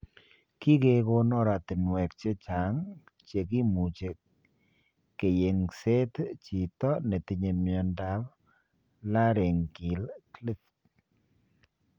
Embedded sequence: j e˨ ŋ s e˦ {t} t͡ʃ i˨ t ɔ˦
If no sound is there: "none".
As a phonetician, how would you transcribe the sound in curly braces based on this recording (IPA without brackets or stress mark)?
t